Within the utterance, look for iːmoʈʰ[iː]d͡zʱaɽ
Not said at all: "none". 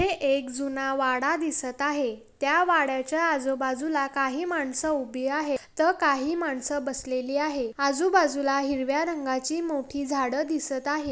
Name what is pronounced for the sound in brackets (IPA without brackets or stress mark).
iː